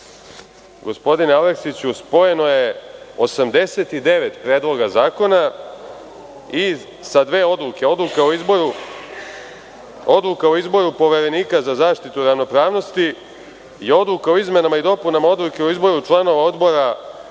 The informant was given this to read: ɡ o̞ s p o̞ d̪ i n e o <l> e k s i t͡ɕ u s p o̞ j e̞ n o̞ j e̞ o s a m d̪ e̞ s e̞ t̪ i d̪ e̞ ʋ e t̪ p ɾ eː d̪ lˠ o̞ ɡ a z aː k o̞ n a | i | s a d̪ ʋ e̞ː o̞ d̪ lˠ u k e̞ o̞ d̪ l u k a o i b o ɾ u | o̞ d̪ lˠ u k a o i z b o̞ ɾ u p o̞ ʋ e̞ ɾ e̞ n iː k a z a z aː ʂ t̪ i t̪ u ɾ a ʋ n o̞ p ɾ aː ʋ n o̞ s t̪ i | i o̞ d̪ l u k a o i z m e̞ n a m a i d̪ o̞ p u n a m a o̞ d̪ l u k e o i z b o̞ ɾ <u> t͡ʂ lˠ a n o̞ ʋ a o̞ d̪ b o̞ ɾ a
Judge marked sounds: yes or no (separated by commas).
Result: yes, yes